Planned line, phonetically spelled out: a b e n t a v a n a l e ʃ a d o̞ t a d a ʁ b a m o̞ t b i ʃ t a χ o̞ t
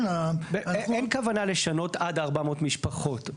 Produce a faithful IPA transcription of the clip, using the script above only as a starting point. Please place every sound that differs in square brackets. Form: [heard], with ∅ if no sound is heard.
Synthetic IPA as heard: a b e n [k] a v a n a l e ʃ a [n] o̞ t a d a ʁ b a m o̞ t [m] i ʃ [p] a χ o̞ t